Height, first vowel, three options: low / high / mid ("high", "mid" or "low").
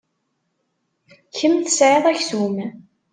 mid